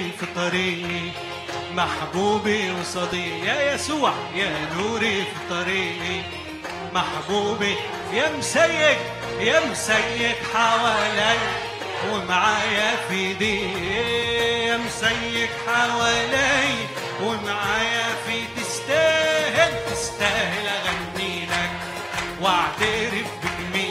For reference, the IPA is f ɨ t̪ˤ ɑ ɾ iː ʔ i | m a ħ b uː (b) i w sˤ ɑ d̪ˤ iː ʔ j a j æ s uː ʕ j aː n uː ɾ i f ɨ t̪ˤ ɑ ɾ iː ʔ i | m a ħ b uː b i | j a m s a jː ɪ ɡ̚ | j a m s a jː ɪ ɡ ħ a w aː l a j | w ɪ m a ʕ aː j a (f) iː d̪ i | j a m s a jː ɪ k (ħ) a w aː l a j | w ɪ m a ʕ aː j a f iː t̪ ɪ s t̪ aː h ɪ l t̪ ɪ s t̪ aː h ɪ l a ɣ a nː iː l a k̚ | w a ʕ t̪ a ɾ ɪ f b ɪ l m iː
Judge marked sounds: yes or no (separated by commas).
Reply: yes, yes, yes